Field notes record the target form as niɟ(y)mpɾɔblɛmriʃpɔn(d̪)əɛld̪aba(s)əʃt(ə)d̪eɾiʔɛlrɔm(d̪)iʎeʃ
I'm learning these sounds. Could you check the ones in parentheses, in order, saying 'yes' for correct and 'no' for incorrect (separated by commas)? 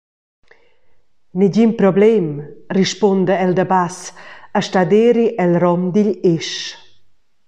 no, yes, yes, no, yes